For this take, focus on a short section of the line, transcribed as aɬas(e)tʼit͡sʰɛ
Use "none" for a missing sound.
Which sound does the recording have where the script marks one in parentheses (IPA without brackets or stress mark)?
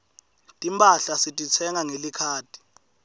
i